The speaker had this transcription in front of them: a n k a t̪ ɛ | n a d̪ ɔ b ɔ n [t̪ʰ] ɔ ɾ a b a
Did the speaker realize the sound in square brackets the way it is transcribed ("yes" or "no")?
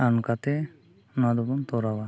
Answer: no